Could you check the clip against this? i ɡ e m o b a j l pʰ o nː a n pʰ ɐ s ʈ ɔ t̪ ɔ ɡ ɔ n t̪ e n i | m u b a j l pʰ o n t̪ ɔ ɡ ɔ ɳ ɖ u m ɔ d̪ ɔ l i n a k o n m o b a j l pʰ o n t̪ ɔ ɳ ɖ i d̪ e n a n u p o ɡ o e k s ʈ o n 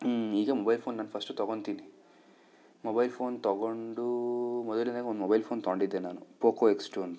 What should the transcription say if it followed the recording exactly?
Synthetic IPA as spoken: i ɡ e m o b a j l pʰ o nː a n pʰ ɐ s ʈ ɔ t̪ ɔ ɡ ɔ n t̪ i n i | m o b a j l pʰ o n t̪ ɔ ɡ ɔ ɳ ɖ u m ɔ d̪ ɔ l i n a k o n m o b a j l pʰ o n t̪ ɔ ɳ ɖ i d̪ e n a n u p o k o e k s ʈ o n